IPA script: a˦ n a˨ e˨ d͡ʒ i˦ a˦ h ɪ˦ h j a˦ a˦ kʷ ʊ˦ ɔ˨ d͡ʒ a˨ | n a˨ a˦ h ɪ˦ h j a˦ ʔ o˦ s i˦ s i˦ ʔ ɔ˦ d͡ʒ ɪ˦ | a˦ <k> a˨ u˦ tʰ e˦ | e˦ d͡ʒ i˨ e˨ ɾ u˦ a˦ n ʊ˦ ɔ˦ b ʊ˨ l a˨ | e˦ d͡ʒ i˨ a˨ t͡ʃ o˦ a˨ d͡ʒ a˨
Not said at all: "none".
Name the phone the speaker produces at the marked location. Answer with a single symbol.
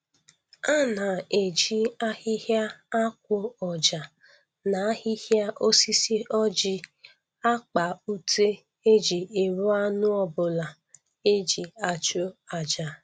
k͡p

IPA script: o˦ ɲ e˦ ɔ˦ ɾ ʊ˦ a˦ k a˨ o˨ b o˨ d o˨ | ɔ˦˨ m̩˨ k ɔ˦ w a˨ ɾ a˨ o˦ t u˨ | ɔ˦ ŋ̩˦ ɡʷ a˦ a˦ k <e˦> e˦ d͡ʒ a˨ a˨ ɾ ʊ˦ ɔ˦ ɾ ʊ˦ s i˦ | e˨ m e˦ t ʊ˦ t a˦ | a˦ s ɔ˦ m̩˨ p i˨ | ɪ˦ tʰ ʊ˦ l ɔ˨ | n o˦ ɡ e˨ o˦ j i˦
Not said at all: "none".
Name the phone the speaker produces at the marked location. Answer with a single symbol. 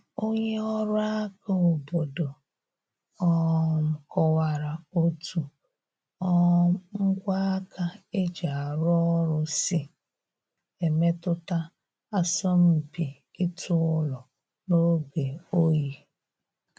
a˦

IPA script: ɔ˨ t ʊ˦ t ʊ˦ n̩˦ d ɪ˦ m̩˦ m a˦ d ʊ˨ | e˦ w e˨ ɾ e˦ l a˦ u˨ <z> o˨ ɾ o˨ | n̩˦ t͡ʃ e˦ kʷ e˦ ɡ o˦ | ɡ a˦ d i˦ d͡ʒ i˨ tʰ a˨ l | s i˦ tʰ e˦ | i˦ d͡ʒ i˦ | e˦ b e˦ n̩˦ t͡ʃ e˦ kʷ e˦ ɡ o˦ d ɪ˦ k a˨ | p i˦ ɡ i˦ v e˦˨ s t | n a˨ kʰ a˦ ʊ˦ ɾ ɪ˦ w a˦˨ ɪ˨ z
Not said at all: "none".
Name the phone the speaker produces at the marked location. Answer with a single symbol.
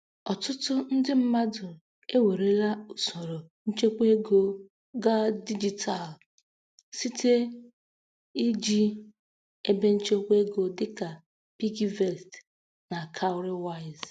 s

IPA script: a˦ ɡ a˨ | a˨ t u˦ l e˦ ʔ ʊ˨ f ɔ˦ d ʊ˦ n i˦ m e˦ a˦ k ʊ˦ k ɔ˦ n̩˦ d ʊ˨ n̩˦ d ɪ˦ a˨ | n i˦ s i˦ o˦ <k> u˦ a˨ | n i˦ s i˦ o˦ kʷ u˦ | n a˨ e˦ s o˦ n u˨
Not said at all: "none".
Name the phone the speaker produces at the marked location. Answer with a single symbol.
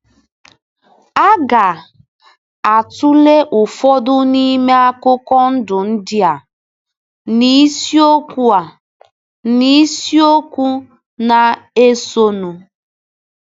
k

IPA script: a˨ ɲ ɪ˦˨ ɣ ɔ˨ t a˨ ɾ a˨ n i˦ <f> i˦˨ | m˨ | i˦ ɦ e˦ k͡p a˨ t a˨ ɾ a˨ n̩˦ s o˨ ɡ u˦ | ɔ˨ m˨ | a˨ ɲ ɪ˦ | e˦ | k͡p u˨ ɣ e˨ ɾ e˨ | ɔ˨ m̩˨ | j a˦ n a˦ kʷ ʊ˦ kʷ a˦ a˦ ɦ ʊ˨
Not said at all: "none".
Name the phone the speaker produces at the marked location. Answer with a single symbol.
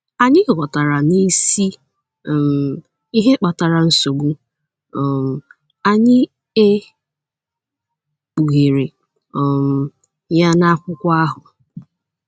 s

